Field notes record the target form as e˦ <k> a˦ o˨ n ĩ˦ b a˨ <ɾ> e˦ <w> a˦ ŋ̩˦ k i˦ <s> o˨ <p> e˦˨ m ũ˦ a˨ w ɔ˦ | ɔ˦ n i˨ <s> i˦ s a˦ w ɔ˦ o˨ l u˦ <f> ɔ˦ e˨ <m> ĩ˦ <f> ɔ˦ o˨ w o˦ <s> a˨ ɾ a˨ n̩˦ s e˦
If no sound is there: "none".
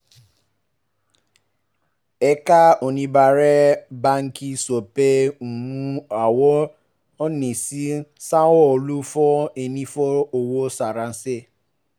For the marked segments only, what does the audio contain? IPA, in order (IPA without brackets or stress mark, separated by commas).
k, ɾ, b, s, p, s, f, n, f, s